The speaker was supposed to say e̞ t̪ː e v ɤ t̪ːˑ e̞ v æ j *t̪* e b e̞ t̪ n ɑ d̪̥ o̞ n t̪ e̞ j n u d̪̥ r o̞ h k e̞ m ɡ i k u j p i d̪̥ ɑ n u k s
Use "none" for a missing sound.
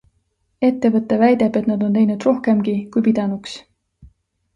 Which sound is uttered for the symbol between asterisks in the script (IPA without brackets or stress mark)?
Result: d̪